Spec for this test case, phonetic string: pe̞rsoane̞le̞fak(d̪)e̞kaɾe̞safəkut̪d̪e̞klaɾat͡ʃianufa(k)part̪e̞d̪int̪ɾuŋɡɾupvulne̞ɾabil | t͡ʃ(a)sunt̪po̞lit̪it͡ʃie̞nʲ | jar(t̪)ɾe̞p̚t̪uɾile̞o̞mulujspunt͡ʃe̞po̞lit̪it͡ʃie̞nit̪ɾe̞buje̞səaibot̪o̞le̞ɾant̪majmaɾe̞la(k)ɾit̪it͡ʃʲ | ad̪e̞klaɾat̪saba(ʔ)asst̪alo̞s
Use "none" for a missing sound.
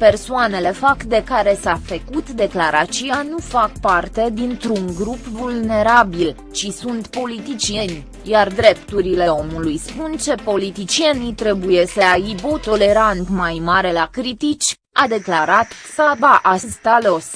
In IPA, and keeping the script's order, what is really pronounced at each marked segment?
d̪, k, i, d̪, k, ʔ

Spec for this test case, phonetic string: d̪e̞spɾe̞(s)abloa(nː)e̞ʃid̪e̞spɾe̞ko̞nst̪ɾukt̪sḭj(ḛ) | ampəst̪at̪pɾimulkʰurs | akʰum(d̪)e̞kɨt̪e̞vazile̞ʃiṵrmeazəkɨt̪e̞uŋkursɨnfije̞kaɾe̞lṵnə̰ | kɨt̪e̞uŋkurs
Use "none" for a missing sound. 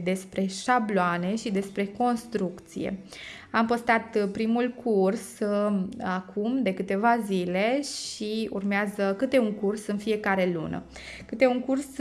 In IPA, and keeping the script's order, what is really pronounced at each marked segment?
ʃ, n, ḛ, d̪

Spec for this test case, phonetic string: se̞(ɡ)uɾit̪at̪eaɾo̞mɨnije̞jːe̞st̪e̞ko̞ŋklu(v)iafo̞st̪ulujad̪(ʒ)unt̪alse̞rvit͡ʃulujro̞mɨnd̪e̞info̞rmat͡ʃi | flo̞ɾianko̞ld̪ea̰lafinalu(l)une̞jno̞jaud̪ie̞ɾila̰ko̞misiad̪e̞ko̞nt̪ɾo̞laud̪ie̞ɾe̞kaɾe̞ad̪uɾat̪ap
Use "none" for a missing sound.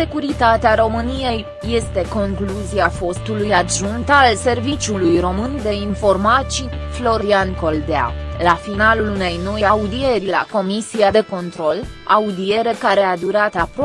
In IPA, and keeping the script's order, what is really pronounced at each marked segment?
k, z, ʒ, l

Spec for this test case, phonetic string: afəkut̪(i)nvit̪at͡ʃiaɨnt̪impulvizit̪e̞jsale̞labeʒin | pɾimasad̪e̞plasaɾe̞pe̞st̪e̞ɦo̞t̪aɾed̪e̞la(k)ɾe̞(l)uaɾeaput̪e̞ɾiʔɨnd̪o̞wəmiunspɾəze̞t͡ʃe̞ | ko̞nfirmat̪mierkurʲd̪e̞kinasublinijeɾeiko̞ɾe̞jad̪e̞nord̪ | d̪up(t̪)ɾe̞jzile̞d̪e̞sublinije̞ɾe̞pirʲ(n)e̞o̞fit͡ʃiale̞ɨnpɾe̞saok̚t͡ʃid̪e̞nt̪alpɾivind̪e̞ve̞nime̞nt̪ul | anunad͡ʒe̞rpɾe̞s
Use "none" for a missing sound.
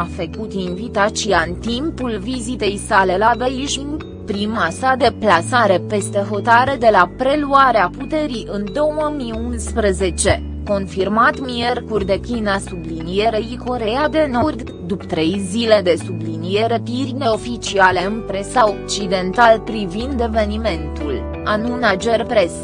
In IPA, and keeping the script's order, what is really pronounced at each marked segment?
i, p, l, t̪, n

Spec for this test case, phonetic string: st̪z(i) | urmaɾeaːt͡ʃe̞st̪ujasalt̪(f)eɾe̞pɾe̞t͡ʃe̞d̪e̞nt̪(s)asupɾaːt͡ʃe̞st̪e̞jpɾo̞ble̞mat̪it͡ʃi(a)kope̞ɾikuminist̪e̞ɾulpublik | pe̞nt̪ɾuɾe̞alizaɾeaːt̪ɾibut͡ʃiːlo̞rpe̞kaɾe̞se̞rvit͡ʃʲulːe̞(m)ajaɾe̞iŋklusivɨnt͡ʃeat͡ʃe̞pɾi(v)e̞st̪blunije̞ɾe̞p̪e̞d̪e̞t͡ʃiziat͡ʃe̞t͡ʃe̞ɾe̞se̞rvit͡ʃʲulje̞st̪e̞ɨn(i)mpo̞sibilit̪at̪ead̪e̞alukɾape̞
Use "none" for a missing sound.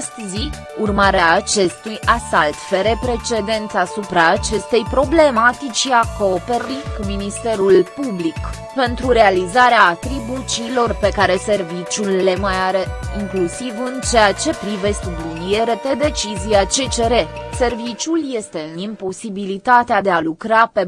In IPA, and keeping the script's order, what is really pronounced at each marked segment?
i, f, s, a, m, v, i

